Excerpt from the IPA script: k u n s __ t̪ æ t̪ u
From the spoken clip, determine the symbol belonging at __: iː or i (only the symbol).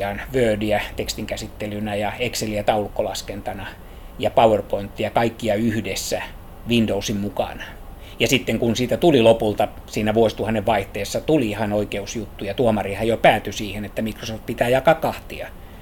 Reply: iː